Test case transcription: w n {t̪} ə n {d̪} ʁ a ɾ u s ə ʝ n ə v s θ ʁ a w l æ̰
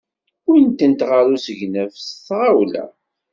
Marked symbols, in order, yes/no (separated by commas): yes, no